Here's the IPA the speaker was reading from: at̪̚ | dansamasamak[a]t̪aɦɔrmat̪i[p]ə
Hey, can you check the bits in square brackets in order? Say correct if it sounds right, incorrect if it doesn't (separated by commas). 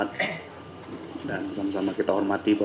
incorrect, incorrect